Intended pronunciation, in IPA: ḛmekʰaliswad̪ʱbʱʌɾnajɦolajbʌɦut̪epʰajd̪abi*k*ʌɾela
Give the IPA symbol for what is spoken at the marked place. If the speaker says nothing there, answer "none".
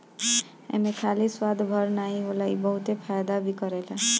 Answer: k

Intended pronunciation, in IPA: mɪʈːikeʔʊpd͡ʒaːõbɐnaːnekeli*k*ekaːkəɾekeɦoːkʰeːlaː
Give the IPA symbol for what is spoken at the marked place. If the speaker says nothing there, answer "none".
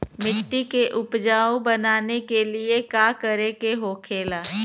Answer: none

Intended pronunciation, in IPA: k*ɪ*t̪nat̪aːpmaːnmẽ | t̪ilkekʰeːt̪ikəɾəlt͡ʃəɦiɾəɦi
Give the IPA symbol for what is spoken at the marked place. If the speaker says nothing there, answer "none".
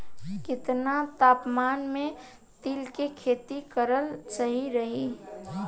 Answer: ɪ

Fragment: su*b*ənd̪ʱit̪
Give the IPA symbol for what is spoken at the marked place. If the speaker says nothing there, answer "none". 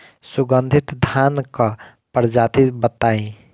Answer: ɡ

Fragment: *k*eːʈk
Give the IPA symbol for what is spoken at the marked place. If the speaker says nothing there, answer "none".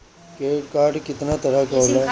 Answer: k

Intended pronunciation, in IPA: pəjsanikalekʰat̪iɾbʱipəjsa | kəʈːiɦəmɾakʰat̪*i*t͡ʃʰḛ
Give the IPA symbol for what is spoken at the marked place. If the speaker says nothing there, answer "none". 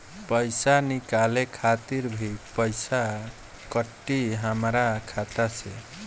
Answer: a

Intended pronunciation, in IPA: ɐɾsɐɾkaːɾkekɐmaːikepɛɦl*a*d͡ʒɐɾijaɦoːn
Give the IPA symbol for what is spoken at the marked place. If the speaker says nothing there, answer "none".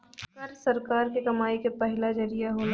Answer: a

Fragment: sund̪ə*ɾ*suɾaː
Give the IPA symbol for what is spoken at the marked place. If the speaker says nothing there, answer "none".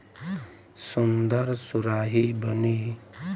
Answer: ɾ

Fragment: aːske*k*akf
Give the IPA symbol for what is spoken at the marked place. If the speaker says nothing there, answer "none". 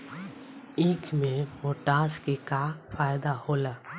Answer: k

